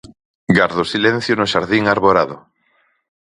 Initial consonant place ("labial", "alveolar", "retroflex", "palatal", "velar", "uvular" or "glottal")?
velar